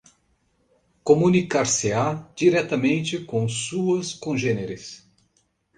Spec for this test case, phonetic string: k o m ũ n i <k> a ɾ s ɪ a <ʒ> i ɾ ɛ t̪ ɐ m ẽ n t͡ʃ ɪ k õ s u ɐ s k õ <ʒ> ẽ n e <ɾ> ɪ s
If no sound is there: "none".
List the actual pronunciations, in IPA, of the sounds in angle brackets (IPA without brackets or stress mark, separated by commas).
k, d͡ʒ, ʒ, ɾ